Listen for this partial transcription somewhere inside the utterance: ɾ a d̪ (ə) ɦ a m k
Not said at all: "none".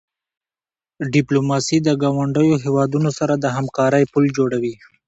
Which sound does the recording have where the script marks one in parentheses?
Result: ə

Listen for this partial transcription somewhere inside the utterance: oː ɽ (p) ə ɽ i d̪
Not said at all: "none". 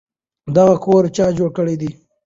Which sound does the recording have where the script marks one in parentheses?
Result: k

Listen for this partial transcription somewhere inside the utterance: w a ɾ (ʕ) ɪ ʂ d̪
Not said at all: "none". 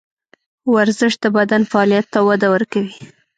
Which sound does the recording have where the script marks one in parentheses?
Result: z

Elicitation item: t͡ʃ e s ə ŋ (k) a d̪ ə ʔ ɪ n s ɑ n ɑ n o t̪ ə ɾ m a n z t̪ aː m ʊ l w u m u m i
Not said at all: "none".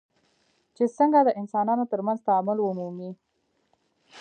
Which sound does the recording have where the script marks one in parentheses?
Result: ɡ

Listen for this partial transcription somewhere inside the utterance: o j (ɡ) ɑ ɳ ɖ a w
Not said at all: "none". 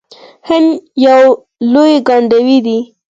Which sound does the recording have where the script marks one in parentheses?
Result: ɡ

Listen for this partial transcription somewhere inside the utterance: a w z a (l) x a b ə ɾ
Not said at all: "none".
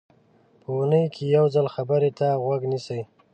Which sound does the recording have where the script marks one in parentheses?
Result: l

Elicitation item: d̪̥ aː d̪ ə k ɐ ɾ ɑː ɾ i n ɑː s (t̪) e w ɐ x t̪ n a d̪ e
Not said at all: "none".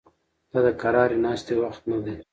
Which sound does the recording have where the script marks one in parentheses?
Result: t̪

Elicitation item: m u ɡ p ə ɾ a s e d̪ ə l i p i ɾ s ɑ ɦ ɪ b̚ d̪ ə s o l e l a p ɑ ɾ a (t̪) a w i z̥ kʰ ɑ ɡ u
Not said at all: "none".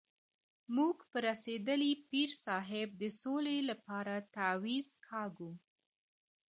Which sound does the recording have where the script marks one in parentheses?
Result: t̪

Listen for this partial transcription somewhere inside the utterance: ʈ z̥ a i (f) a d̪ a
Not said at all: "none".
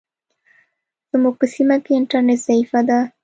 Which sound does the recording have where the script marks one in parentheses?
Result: f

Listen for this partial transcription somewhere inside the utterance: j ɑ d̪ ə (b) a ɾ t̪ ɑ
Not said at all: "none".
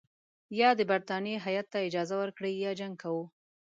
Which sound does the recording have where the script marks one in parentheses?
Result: b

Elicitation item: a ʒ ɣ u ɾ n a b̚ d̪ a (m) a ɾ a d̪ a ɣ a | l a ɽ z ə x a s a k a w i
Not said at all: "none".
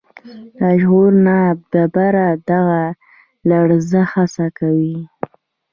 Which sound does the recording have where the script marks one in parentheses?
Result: b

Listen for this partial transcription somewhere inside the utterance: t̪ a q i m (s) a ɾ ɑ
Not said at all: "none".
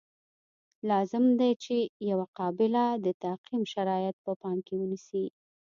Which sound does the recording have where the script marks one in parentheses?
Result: ʃ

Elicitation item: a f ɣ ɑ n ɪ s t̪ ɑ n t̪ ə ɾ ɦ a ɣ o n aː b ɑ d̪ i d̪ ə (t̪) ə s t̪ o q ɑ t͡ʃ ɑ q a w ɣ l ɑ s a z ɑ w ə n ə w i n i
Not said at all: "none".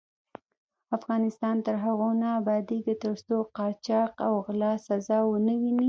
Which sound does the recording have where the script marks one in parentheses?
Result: t̪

